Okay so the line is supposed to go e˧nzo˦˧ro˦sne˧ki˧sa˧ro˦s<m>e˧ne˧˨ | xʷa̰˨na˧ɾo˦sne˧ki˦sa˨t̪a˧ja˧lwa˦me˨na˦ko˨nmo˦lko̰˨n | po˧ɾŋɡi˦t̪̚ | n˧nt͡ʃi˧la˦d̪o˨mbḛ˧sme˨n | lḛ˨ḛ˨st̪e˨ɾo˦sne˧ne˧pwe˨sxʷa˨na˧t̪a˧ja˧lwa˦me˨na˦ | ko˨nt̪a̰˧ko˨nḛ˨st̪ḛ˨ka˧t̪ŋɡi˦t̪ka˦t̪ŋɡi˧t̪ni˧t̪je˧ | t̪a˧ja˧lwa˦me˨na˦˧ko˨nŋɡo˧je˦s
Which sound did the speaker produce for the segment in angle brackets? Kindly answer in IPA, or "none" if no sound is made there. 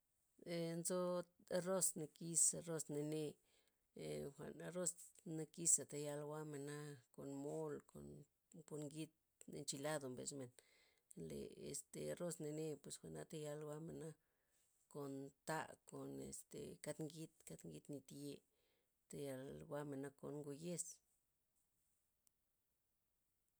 n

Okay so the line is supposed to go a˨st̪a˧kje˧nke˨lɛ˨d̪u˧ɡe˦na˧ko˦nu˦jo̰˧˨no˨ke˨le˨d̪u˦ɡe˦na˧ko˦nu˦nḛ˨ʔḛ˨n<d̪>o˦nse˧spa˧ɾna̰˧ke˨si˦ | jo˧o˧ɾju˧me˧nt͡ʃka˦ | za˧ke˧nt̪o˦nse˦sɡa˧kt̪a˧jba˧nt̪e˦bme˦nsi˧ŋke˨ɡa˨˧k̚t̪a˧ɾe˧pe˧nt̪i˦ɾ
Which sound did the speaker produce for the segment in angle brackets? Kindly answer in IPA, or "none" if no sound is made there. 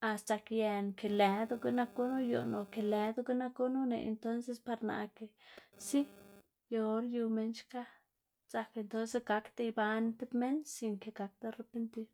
t̪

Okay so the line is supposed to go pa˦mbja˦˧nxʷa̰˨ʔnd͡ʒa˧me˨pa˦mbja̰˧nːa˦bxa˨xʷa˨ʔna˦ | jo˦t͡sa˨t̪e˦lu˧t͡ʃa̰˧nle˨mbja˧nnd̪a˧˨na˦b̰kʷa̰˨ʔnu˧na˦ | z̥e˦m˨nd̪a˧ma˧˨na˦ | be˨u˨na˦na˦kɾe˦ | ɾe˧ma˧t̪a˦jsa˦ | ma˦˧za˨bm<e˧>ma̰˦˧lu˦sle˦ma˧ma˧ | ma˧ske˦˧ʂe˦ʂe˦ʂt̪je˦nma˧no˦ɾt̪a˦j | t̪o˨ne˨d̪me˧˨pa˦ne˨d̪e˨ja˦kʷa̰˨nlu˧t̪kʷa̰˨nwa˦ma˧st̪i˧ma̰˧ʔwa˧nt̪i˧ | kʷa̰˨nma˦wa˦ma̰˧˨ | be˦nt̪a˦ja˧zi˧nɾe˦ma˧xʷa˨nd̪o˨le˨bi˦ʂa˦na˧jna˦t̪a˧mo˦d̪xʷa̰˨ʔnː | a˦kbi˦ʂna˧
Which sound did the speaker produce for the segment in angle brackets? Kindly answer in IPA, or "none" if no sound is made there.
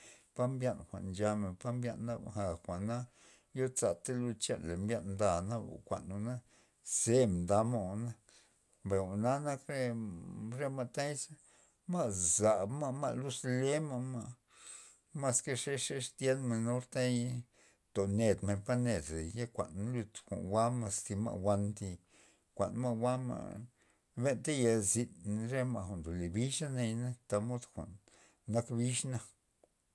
a˧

